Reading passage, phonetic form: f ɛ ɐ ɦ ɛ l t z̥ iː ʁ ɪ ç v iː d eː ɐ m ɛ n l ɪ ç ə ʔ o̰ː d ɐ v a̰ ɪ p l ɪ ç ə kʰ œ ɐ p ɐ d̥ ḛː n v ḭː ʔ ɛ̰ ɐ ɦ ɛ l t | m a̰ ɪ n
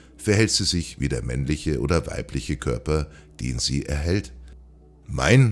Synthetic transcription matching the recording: f ɛ ɐ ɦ ɛ l t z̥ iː z ɪ ç v iː d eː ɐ m ɛ n l ɪ ç ə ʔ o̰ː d ɐ v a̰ ɪ p l ɪ ç ə kʰ œ ɐ p ɐ d̥ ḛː n z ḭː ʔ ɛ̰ ɐ ɦ ɛ l t | m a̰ ɪ n